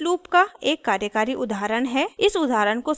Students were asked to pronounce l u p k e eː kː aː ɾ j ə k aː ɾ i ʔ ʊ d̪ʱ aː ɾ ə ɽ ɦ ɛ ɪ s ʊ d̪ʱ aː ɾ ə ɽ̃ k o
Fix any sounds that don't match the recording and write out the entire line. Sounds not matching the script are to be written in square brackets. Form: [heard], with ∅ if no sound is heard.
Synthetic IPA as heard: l [uː] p k [a] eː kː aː ɾ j ə k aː ɾ i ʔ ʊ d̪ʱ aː ɾ ə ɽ ɦ ɛ ɪ s ʊ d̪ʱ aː ɾ ə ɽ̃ k o